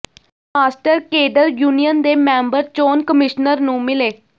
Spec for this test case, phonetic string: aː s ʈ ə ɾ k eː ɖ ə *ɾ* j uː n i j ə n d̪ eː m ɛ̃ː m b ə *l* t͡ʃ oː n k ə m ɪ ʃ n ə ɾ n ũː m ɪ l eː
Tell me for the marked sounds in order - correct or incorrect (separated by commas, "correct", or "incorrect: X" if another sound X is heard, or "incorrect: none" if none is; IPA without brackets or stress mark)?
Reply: correct, incorrect: ɾ